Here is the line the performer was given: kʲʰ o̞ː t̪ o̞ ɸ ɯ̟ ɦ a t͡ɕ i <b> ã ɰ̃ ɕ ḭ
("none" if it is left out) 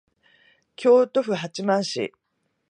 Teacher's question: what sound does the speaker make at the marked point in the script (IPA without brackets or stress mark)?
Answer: m